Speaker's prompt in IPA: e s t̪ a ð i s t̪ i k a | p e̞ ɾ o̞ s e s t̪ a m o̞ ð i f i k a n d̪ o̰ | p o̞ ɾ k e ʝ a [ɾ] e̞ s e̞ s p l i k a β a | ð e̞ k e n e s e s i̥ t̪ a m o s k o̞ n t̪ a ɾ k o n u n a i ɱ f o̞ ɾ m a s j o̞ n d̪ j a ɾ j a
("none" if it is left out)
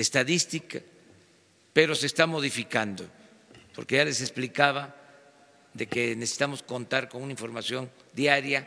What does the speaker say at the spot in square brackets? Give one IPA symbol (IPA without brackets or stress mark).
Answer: l